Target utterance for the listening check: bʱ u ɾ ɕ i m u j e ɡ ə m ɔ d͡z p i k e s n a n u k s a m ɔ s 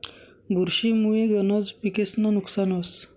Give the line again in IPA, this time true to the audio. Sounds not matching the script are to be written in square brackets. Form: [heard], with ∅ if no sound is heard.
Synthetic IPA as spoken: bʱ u ɾ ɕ i m u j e ɡ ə [n] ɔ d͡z p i k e s n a n u k s a [n] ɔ s

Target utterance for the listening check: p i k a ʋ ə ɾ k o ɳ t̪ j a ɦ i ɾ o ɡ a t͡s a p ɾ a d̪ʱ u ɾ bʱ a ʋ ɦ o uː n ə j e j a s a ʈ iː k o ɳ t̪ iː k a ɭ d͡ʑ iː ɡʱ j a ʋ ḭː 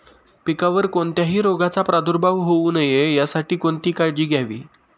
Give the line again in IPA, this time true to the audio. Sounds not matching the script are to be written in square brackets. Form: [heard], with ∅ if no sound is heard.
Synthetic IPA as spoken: p i k a ʋ ə ɾ k o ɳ t̪ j a ɦ [iː] ɾ o ɡ a t͡s a p ɾ a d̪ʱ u ɾ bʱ a ʋ ɦ o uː n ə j e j a s a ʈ iː k o ɳ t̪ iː k a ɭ d͡ʑ iː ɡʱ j a ʋ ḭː

